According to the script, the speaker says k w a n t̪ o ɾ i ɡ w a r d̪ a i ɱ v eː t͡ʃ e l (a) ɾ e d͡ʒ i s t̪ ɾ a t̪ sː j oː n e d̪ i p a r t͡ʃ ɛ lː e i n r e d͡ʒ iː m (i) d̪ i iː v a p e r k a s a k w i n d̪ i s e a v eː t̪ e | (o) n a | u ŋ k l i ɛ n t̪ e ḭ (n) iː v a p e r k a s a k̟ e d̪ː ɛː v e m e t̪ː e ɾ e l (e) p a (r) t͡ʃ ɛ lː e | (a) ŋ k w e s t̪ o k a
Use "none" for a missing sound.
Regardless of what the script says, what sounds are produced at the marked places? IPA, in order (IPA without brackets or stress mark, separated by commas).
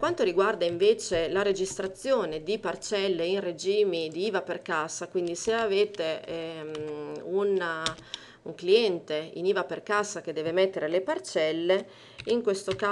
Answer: a, i, u, n, e, r, i